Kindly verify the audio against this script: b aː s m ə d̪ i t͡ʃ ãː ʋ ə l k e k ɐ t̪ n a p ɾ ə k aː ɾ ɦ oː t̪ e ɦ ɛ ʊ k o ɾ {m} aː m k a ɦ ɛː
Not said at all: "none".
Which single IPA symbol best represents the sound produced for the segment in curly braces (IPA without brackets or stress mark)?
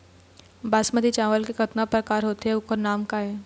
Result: n